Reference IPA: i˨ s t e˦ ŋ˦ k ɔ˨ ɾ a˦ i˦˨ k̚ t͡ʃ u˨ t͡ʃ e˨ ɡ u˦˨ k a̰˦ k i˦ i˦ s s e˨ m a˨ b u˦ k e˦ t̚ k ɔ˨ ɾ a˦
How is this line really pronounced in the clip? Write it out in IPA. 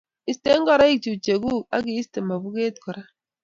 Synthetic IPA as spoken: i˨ s t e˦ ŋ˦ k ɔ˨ ɾ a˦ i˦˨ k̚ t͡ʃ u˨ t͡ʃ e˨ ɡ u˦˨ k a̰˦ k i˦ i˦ s t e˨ m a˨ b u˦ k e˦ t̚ k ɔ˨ ɾ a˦